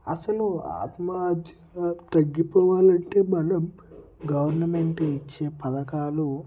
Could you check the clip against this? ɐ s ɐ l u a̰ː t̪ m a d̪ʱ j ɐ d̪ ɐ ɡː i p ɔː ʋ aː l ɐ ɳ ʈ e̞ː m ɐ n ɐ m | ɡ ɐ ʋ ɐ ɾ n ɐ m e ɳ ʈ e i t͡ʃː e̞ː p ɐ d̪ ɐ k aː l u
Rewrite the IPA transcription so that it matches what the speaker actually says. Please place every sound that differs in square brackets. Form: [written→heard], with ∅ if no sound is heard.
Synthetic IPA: ɐ s ɐ l u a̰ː t̪ m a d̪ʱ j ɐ [d̪→t̪] ɐ ɡː i p ɔː ʋ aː l ɐ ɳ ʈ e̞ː m ɐ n ɐ m | ɡ ɐ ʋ ɐ ɾ n ɐ m e ɳ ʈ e i t͡ʃː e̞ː p ɐ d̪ ɐ k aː l u